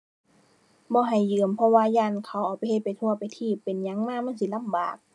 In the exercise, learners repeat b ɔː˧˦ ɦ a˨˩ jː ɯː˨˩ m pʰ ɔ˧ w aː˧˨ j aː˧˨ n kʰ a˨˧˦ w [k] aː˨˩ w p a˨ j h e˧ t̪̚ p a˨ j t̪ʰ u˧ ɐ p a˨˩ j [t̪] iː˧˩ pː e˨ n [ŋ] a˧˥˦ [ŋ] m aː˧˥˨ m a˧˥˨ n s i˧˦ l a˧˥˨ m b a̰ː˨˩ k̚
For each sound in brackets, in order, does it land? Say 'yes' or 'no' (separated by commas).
no, no, no, yes